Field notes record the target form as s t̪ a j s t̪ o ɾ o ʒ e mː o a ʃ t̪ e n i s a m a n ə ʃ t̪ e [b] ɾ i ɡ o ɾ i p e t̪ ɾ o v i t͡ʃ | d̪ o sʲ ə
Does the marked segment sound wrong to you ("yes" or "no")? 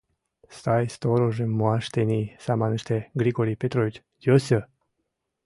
yes